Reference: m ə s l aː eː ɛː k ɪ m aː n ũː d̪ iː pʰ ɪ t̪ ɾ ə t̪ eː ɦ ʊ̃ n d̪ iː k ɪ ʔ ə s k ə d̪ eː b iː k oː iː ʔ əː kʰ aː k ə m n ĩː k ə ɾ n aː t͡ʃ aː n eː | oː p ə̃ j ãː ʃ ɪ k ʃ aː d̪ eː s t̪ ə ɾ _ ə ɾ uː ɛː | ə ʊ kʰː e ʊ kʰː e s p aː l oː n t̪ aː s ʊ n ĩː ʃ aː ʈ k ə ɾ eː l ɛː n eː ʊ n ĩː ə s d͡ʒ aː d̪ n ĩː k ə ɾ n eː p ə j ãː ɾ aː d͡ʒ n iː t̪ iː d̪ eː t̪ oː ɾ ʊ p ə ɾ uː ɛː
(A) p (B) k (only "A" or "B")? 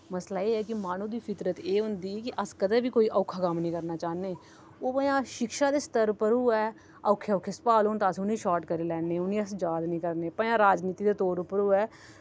A